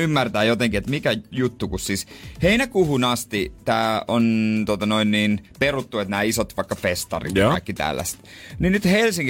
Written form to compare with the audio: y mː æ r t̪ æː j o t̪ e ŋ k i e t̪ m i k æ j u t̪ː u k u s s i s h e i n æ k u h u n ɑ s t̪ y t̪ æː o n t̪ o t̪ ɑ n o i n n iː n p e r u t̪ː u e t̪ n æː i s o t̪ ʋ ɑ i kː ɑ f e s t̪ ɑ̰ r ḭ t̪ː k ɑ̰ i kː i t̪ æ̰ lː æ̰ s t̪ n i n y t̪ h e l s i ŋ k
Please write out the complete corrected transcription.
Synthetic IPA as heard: y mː æ r t̪ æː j o t̪ e ŋ k i e t̪ m i k æ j u t̪ː u k u s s i s h e i n æ k u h u n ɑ s t̪ i t̪ æː o n t̪ o t̪ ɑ n o i n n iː n p e r u t̪ː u e t̪ n æː i s o t̪ ʋ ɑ i kː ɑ f e s t̪ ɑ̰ r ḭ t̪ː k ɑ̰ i kː i t̪ æ̰ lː æ̰ s t̪ n i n y t̪ h e l s i ŋ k